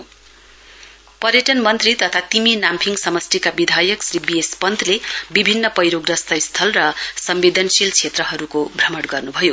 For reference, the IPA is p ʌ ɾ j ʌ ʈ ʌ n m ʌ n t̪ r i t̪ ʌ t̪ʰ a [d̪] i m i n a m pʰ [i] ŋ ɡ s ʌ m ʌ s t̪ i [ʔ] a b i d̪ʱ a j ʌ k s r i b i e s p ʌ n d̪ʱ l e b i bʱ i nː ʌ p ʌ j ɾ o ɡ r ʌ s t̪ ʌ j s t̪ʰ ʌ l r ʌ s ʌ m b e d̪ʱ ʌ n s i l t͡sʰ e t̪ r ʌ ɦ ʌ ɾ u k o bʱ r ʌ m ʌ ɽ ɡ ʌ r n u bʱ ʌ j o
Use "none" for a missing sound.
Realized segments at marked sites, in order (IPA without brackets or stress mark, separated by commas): t̪, i, k